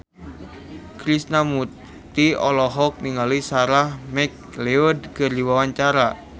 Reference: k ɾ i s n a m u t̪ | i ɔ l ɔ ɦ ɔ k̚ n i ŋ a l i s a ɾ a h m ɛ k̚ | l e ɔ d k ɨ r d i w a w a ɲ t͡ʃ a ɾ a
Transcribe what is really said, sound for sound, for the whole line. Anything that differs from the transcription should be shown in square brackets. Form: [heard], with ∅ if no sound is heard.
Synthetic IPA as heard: k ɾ i s n a m u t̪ | i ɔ l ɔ ɦ ɔ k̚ n i ŋ a l i s a ɾ a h m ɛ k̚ | l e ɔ d k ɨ r d i w a w a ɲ t͡ʃ a ɾ a